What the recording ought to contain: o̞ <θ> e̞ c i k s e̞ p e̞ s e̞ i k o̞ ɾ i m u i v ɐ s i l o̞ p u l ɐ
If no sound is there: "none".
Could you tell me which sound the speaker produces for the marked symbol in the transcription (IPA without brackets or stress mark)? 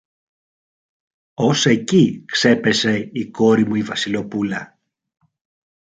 s